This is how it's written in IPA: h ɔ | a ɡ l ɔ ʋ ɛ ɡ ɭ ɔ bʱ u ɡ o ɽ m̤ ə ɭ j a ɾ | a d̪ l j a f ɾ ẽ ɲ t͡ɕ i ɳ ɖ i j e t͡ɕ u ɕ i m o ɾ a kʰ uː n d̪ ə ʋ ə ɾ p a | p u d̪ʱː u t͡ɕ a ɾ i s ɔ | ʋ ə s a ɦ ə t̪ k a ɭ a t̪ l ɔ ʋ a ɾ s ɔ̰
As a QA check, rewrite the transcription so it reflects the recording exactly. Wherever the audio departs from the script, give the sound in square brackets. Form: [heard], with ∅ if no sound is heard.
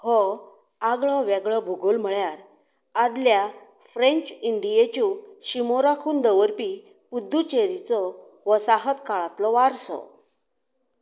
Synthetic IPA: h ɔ | a ɡ [ɭ] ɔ ʋ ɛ ɡ ɭ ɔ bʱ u ɡ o [l] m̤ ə ɭ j a ɾ | a d̪ l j a f ɾ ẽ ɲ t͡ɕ i ɳ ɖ i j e t͡ɕ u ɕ i m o ɾ a kʰ uː n d̪ ə ʋ ə ɾ p [i] | p u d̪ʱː u t͡ɕ [e] ɾ i [t͡s] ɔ | ʋ ə s a ɦ ə t̪ k a ɭ a t̪ l ɔ ʋ a ɾ s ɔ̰